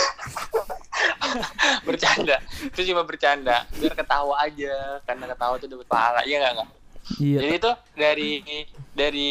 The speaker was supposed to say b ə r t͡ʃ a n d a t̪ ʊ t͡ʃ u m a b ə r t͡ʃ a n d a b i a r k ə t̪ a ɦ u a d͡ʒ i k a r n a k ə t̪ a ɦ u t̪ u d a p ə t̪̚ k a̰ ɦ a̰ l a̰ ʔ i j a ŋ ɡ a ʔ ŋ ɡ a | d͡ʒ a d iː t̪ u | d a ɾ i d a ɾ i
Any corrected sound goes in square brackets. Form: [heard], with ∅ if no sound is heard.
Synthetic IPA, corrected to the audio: b ə r t͡ʃ a n d a t̪ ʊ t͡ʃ u m a b ə r t͡ʃ a n d a b i a r k ə t̪ a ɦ u a d͡ʒ [a] k a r n a k ə t̪ a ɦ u t̪ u d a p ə t̪̚ [p] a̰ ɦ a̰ l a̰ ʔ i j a ŋ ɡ a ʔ ŋ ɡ a | d͡ʒ a d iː t̪ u | d a ɾ i d a ɾ i